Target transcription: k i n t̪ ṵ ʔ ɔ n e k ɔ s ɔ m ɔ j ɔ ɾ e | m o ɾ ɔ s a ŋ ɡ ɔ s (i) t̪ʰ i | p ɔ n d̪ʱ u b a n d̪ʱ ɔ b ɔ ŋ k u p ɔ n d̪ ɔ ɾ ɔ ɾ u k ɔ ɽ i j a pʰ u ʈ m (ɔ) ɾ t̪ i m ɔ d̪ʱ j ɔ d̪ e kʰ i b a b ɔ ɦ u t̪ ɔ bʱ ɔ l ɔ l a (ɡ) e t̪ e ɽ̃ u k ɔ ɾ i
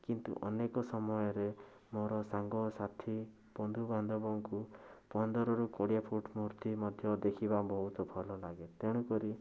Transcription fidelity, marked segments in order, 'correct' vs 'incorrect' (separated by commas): incorrect, incorrect, correct